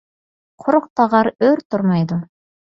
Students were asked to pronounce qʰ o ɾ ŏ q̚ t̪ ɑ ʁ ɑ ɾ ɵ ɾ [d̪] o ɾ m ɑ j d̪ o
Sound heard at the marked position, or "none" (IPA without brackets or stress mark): t̪